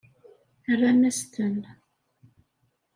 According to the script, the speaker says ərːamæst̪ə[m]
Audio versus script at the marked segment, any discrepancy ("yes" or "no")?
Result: yes